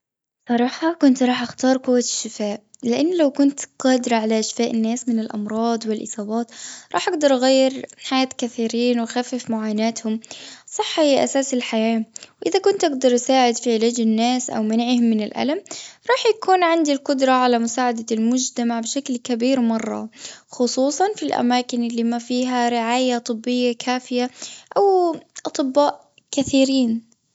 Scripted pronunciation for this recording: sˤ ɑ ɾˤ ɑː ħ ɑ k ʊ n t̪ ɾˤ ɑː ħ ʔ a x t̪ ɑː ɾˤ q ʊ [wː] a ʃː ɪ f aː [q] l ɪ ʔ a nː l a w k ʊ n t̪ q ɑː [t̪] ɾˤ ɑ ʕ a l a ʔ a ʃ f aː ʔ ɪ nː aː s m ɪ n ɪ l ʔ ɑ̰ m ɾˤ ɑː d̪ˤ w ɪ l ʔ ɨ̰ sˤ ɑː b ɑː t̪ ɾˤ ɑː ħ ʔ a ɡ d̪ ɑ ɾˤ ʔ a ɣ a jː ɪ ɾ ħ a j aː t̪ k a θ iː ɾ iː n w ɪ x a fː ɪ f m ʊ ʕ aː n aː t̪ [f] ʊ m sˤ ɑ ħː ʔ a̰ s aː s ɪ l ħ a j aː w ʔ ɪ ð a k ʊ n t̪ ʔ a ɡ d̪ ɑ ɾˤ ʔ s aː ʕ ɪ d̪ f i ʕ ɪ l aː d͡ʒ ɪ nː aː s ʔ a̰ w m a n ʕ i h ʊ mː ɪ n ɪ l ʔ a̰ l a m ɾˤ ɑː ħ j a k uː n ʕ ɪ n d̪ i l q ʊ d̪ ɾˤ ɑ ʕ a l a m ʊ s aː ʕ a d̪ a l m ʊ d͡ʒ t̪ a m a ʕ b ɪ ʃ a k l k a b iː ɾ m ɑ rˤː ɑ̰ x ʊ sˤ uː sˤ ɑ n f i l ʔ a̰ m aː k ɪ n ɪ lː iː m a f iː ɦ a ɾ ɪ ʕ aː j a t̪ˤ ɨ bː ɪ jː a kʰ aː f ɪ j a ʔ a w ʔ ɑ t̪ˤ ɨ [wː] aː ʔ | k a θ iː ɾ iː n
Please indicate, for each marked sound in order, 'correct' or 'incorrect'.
correct, incorrect: ʔ, incorrect: d̪, incorrect: h, incorrect: bː

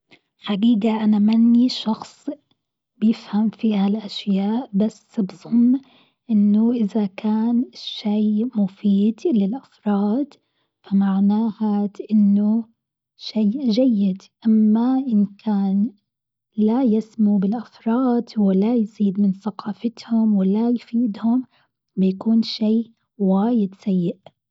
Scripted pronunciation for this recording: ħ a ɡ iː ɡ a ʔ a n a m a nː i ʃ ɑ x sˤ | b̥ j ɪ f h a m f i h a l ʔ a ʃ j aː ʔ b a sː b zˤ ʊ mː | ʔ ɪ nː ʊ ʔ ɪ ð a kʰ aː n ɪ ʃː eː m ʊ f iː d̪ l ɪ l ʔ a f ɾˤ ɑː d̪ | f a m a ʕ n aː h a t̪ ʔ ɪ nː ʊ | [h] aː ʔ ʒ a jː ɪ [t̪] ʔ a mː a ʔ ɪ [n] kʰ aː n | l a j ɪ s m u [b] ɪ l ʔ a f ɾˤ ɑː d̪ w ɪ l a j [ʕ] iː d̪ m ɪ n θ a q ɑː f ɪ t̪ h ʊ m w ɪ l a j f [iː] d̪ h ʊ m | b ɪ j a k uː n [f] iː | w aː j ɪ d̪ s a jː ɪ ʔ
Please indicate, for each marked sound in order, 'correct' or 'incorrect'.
incorrect: ʃ, incorrect: d̪, correct, correct, incorrect: z, correct, incorrect: ʃ

